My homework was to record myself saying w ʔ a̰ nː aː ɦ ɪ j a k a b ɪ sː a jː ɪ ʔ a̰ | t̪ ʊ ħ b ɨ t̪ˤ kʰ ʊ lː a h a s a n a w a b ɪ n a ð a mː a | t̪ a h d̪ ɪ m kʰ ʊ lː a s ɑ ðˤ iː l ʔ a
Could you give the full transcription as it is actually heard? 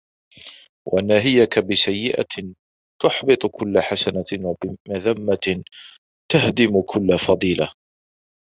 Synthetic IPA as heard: w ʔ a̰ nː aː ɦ ɪ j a k a b ɪ s a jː ɪ ʔ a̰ | t̪ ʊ ħ b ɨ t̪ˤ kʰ ʊ lː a ħ a s a n a w a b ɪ m a ð a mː a | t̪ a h d̪ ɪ m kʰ ʊ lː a f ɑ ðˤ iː l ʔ a